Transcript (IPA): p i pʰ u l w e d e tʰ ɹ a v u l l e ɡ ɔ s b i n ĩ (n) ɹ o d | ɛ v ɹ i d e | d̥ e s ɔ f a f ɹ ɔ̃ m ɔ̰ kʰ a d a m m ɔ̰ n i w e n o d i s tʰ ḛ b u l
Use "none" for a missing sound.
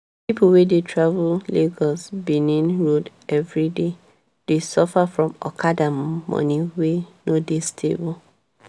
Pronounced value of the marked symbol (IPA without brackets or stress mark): n